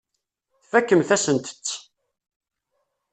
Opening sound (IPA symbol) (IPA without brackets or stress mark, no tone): θ